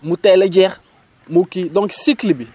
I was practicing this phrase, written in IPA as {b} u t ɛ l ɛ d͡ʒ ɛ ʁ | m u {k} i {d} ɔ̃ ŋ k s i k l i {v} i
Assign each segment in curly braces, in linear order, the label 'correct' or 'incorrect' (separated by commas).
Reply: incorrect, correct, correct, incorrect